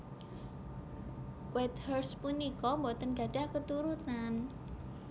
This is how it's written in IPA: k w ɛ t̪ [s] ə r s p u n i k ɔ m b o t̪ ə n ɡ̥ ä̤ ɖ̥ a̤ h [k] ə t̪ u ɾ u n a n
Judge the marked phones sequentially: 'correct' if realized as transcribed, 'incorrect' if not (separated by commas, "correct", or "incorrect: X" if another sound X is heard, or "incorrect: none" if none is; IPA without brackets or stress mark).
incorrect: h, correct